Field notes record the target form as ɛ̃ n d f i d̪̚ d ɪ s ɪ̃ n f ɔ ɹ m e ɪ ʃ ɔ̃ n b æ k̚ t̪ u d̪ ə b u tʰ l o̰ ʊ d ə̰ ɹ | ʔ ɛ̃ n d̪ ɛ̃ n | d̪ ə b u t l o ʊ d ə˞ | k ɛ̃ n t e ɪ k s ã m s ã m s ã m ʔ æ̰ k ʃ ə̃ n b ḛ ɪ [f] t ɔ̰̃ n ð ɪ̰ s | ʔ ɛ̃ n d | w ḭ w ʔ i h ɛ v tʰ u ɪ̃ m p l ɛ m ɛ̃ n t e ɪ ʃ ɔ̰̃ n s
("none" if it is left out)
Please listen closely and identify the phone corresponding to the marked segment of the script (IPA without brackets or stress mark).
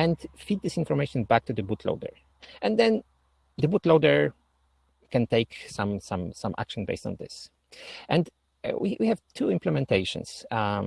s